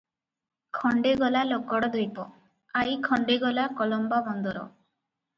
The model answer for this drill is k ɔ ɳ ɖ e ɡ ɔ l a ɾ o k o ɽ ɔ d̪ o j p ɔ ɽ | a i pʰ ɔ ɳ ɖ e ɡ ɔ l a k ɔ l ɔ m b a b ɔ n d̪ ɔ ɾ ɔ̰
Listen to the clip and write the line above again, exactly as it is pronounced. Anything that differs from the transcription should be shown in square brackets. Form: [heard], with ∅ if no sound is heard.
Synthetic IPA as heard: [kʰ] ɔ ɳ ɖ e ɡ ɔ l a [l] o k [ɔ] ɽ ɔ d̪ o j p ɔ [∅] | a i [kʰ] ɔ ɳ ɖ e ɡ ɔ l a k ɔ l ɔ m b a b ɔ n d̪ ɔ ɾ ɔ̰